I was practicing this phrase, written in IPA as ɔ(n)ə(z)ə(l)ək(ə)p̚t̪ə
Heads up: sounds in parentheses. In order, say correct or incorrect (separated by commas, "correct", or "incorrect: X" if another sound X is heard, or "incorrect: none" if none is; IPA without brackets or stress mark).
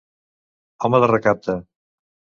incorrect: m, incorrect: ð, incorrect: r, incorrect: a